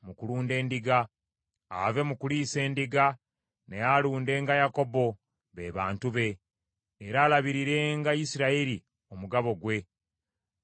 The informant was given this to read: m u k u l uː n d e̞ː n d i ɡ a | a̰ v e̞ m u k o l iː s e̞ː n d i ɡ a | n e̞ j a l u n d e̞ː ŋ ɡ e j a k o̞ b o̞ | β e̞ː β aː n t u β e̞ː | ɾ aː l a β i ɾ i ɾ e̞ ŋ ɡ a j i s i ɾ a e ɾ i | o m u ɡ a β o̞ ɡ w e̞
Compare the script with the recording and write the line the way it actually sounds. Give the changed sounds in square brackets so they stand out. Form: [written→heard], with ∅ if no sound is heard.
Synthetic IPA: m u k u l uː n d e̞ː n d i ɡ a | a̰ v e̞ m u k [o→u] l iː s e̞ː n d i ɡ a | n e̞ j a l [u→uː] n d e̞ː ŋ ɡ [e→a] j a k o̞ b o̞ | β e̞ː β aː n t u β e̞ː | ɾ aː l a β i ɾ i ɾ e̞ ŋ ɡ a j i s i ɾ a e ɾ i | o m u ɡ a β o̞ ɡ w e̞